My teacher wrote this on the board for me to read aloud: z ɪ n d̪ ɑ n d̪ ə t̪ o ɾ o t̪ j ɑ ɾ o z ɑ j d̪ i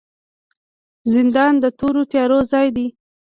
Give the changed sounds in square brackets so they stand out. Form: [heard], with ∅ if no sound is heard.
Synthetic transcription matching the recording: z ɪ n d̪ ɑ n d̪ ə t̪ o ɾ o t̪ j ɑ ɾ o z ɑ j d̪ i